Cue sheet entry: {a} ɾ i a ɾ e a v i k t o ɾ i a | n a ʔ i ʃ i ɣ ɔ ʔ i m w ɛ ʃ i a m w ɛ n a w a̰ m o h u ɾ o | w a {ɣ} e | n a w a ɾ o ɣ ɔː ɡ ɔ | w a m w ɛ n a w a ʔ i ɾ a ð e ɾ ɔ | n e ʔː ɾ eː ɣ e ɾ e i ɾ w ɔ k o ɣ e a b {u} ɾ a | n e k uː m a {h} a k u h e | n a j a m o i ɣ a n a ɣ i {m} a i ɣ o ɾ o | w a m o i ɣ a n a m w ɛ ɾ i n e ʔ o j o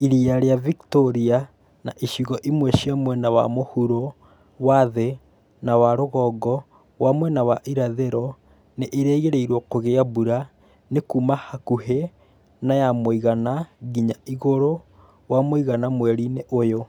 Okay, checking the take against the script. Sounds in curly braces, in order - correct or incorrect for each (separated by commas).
incorrect, incorrect, correct, correct, incorrect